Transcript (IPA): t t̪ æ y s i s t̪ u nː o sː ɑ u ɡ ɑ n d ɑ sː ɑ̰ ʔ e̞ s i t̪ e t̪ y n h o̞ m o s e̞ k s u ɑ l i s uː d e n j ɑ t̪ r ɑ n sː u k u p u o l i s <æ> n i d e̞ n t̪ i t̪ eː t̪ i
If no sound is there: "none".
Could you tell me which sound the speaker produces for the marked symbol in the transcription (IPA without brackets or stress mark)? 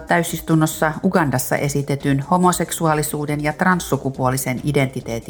e